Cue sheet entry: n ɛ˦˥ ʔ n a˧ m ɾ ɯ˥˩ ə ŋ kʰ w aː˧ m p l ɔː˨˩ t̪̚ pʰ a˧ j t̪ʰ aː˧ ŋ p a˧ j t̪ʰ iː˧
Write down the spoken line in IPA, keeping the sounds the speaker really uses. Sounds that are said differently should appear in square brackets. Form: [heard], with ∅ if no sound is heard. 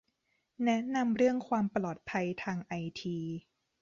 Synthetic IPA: n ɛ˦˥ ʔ n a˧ m ɾ ɯ˥˩ ə ŋ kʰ w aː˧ m p l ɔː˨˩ t̪̚ pʰ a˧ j t̪ʰ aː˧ ŋ [ʔ] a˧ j t̪ʰ iː˧